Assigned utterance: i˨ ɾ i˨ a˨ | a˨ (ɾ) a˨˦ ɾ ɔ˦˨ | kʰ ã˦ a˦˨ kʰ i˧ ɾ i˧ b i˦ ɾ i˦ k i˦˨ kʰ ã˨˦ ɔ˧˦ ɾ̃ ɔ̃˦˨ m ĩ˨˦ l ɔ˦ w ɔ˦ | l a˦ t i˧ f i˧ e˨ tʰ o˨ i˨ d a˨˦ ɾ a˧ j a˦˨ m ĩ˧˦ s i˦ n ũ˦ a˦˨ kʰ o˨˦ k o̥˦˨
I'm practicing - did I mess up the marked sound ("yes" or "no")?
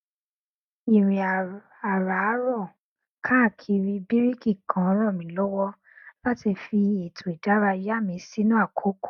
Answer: no